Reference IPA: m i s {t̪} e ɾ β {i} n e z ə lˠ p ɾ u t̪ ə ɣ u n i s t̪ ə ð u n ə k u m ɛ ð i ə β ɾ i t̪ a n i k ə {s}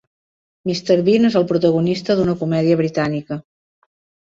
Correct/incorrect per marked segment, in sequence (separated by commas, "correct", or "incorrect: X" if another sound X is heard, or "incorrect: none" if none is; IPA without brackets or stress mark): correct, correct, incorrect: none